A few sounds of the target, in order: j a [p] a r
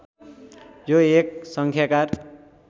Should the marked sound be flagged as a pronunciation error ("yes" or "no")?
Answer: yes